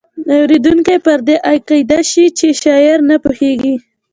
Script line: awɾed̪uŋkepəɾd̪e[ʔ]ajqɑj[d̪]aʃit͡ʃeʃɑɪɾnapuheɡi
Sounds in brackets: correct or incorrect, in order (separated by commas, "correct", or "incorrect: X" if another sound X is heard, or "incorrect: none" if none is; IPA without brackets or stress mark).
correct, correct